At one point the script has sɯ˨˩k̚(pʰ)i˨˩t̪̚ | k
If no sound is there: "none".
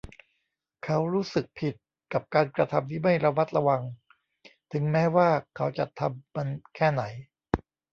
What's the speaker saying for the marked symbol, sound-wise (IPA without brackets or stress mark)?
pʰ